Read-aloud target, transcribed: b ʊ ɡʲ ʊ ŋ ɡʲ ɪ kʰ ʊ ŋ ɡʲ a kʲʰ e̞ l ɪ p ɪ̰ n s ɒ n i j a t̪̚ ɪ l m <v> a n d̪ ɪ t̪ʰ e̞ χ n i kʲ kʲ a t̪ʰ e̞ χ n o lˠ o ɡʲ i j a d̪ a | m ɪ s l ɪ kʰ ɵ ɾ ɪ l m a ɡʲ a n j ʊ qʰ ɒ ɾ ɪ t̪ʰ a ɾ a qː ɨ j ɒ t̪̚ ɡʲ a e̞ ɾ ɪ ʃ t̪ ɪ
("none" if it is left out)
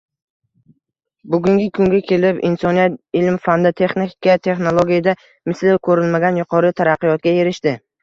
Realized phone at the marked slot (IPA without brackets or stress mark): f